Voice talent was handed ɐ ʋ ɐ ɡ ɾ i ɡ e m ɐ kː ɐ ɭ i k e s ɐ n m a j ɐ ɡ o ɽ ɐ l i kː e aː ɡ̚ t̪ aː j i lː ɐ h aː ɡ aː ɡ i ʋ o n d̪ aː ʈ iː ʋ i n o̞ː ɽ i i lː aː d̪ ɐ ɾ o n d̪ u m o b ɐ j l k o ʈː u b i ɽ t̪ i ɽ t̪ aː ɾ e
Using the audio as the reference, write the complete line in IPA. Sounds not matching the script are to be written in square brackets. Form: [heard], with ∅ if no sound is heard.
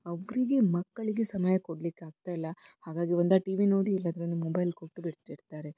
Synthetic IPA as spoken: ɐ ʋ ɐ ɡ ɾ i ɡ e m ɐ kː ɐ ɭ i [ɡ] e s ɐ [∅] m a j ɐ [k] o ɽ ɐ l i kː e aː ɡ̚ t̪ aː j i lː ɐ h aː ɡ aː ɡ i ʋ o n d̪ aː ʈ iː ʋ i n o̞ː ɽ i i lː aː d̪ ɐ ɾ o n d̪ u m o b ɐ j l k o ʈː u b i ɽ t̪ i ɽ t̪ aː ɾ e